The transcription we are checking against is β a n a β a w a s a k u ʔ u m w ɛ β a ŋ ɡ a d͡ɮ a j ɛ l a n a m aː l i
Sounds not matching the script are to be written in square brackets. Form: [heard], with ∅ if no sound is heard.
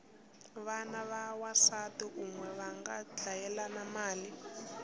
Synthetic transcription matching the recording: β a n a β a w a s a [t] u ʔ u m w ɛ β a ŋ ɡ a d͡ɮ a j ɛ l a n a m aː l i